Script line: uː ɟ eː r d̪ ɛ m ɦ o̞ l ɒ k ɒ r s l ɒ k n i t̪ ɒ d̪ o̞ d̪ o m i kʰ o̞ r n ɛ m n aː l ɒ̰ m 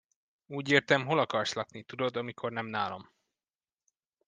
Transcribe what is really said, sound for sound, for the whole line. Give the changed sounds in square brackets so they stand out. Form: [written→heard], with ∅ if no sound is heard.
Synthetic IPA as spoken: uː ɟ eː r [d̪→t̪] ɛ m ɦ o̞ l ɒ k ɒ r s l ɒ k n i t̪ [ɒ→u] d̪ o̞ d̪ [o→ɒ] m i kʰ o̞ r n ɛ m n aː l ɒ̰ m